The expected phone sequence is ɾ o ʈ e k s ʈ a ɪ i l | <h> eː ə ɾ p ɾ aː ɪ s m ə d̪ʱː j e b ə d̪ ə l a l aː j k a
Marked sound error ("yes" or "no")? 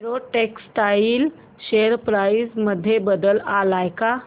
yes